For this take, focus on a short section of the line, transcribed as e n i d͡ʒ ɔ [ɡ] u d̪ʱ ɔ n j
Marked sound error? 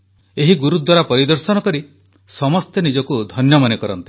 yes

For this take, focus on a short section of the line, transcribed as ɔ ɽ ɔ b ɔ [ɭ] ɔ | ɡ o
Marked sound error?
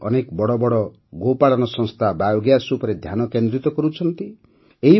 yes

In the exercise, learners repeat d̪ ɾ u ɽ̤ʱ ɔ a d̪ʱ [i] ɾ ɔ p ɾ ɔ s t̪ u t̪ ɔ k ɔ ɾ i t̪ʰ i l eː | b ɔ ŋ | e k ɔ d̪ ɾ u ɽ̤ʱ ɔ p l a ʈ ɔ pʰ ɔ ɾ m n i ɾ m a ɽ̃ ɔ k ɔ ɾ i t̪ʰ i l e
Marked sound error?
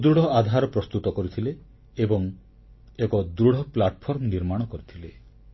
yes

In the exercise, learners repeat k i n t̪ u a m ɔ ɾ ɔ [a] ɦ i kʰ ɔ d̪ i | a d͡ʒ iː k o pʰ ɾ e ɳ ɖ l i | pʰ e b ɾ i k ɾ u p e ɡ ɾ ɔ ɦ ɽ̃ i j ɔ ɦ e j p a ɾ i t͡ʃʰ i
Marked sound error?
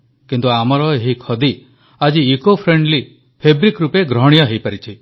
yes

